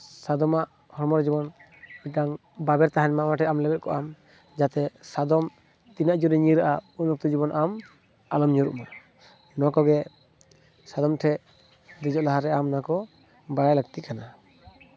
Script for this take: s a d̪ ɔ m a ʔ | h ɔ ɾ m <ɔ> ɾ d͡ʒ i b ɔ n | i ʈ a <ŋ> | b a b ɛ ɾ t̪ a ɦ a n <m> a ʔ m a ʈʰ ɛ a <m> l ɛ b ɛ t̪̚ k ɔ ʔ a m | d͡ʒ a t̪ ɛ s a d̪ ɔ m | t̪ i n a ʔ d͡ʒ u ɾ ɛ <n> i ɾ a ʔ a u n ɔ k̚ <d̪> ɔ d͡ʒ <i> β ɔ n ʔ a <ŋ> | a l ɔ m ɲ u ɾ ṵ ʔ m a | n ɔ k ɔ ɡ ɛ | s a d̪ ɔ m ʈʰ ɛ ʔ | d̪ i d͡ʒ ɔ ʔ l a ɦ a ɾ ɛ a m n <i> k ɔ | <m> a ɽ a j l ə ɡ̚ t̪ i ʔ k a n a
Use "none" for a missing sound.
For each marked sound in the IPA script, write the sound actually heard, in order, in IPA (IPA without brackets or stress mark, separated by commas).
ɔ, ŋ, m, m, ɲ, t̪, i, m, a, b